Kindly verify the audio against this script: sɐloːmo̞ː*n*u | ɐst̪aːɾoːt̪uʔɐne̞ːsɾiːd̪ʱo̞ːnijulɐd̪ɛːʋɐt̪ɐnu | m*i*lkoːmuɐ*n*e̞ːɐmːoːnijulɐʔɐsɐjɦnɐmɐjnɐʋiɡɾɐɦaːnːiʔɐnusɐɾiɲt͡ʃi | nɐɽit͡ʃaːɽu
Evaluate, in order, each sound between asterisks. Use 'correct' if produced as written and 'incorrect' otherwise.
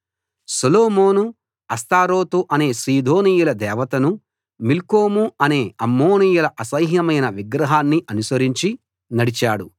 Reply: correct, correct, correct

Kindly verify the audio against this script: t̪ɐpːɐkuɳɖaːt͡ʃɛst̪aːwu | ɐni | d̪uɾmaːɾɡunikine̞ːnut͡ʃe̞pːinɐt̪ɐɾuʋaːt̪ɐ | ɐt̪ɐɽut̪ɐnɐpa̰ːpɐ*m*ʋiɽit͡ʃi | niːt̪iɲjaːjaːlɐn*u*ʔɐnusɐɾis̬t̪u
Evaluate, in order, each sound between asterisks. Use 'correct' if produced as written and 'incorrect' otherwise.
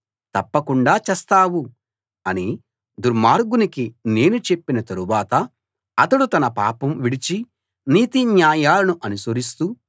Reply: correct, correct

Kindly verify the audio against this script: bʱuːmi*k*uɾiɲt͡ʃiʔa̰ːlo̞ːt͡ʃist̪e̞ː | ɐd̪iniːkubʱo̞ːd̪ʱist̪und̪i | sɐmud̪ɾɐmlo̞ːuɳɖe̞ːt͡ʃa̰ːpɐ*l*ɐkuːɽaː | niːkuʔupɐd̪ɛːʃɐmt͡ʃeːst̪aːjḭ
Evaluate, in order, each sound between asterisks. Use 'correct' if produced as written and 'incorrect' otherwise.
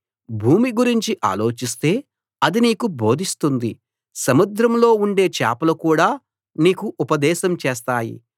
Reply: incorrect: ɡ, correct

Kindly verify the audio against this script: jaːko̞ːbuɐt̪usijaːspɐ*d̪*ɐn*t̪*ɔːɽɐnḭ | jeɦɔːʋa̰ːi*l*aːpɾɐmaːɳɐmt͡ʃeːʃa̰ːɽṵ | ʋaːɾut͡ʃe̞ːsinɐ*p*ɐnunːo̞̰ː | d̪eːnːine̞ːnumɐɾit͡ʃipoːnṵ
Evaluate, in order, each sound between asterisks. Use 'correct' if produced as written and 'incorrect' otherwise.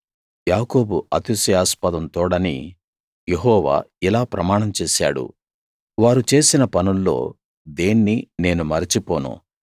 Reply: correct, correct, correct, correct

